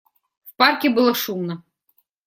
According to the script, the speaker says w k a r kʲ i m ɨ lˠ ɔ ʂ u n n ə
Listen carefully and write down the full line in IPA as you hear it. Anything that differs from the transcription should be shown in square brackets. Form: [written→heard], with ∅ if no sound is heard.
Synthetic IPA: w [k→p] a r kʲ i [m→b] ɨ lˠ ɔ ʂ u [n→m] n [ə→ɐ]